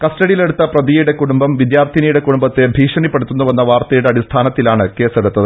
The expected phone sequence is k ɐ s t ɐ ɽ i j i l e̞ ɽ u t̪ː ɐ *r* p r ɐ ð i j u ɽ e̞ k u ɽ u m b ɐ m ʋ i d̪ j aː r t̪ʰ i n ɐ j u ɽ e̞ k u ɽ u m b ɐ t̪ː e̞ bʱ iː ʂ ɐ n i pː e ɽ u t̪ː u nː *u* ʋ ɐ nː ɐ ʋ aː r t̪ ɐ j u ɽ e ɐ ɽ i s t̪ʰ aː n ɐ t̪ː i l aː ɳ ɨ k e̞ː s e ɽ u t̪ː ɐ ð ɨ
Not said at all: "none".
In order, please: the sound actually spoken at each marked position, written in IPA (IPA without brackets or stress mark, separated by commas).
none, u